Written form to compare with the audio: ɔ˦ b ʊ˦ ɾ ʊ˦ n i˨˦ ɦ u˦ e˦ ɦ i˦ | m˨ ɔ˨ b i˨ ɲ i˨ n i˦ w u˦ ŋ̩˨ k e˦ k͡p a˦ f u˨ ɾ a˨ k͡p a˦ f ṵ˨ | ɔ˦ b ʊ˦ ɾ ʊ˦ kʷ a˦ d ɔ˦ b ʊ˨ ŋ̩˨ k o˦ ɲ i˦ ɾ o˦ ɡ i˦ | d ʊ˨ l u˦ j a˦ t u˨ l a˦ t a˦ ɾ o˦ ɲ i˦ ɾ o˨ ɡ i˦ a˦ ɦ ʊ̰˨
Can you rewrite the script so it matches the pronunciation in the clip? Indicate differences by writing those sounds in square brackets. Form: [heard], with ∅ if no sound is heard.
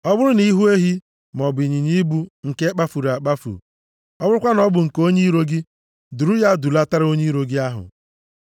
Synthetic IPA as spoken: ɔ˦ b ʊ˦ ɾ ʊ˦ n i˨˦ ɦ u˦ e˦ ɦ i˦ | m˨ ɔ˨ b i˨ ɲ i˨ [ɲ] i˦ [b] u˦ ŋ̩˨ k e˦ k͡p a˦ f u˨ ɾ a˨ k͡p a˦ f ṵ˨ | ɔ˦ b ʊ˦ ɾ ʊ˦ kʷ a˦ [n] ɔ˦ b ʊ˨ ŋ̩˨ k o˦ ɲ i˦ ɾ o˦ ɡ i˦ | d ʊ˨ [ɾ] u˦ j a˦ [d] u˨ l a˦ t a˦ ɾ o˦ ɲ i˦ ɾ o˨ ɡ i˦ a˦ ɦ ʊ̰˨